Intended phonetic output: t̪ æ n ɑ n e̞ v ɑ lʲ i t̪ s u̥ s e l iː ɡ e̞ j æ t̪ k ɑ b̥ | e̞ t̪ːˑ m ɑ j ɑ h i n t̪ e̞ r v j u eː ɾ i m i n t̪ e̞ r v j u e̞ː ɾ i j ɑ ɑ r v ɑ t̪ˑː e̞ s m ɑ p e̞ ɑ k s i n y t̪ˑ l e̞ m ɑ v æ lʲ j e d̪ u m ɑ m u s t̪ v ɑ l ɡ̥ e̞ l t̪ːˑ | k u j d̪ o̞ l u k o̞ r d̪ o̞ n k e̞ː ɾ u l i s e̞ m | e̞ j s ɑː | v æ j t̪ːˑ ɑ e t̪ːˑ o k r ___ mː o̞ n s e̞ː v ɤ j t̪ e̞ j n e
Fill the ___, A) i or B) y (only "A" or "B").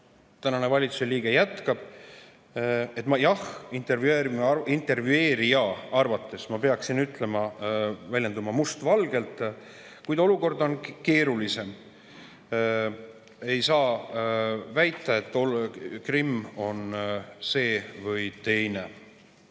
A